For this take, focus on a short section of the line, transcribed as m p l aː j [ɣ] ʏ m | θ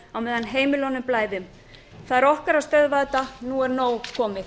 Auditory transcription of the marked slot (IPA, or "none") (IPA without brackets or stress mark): ð